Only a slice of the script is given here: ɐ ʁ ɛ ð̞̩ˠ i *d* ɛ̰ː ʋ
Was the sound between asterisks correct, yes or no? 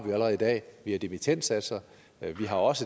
yes